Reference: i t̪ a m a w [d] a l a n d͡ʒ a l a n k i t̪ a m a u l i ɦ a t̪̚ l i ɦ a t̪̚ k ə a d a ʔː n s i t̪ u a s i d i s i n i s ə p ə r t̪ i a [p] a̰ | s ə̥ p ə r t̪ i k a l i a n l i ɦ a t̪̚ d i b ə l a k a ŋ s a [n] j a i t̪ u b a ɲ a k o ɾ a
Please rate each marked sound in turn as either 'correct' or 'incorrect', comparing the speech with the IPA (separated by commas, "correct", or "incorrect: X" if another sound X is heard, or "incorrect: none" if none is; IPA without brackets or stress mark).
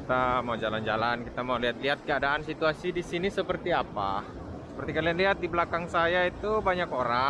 incorrect: d͡ʒ, correct, incorrect: none